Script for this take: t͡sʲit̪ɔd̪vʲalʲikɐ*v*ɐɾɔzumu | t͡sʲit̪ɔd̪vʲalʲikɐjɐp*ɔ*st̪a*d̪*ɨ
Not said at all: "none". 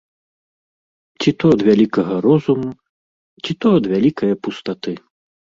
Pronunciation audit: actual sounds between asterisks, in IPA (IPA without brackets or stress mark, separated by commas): ɣ, u, t̪